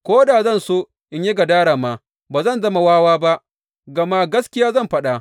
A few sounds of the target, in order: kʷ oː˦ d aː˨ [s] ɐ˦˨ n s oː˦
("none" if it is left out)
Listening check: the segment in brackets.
z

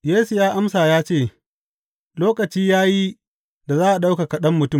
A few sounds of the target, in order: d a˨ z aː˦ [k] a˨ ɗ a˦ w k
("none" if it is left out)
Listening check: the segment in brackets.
ʔ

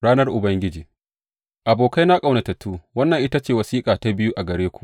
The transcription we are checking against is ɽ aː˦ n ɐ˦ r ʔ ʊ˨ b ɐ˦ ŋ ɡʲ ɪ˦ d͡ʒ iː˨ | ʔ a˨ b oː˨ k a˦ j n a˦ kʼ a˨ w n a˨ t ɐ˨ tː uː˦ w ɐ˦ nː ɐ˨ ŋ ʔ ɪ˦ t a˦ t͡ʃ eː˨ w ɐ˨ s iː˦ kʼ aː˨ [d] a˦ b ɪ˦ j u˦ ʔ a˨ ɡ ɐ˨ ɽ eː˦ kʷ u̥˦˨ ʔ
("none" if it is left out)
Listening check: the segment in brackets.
t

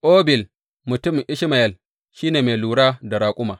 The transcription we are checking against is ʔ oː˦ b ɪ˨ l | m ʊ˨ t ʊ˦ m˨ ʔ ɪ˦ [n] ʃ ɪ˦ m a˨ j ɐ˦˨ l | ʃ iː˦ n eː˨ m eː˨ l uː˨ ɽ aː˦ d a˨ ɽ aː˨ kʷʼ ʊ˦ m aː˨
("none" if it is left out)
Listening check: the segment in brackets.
none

